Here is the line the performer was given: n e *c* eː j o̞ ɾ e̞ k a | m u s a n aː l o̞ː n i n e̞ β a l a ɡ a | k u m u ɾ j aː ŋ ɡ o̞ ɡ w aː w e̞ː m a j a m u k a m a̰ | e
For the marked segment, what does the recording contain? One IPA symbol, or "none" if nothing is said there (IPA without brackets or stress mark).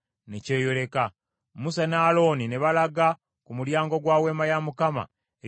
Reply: c